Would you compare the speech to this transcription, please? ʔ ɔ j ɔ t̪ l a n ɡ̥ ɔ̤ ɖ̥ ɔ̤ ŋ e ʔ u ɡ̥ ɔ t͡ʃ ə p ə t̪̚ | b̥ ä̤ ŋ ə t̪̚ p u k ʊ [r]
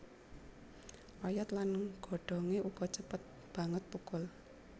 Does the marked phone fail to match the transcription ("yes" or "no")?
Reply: yes